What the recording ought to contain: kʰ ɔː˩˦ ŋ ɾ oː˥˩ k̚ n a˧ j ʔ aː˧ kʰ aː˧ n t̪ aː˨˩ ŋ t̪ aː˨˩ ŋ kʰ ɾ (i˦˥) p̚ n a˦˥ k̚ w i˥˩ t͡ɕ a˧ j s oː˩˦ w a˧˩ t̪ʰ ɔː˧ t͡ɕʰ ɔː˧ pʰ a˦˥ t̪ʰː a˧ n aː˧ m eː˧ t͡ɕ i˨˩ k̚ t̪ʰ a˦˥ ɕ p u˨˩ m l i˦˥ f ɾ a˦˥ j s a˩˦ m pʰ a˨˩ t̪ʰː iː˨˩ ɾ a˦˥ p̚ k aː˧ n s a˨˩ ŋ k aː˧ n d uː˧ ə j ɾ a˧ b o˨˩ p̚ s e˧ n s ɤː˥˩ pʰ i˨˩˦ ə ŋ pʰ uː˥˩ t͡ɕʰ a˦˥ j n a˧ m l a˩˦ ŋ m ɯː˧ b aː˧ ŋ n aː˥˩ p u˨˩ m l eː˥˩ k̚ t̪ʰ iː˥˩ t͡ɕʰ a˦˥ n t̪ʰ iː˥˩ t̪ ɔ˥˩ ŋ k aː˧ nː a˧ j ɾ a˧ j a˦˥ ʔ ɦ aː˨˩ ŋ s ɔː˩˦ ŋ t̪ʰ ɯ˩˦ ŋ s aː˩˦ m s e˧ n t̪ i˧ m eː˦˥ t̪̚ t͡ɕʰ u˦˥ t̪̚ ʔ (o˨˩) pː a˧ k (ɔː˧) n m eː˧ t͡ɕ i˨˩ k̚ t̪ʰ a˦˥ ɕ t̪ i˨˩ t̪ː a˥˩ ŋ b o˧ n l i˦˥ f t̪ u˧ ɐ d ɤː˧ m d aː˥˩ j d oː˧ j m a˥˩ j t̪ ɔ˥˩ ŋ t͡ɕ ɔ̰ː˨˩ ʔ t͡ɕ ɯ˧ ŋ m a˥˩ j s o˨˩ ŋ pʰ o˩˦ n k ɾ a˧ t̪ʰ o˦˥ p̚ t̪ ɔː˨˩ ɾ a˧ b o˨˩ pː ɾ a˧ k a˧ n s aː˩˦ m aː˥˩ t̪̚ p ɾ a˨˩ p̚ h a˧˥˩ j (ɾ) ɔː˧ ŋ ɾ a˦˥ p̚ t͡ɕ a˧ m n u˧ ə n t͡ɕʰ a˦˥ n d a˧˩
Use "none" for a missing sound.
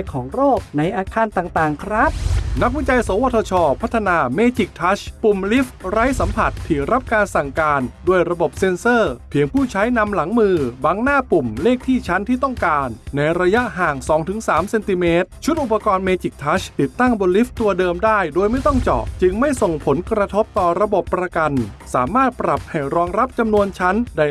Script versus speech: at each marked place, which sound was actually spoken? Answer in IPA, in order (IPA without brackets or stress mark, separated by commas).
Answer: a˦˥, u˨˩, ɔː˧, ɾ